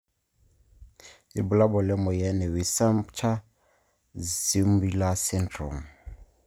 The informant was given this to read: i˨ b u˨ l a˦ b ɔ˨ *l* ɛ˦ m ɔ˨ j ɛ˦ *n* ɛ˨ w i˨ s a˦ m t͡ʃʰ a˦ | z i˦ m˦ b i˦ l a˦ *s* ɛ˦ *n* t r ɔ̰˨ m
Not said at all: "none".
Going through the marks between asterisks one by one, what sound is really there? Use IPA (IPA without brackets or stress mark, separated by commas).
l, n, s, n